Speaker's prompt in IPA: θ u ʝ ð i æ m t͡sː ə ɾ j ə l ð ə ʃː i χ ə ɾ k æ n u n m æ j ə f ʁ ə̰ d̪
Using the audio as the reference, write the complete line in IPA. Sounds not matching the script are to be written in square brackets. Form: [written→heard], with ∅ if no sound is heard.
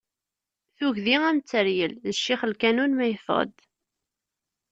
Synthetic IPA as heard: θ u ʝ ð i æ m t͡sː ə ɾ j ə l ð ə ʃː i χ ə [ɾ→l] k æ n u n m æ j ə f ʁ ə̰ d̪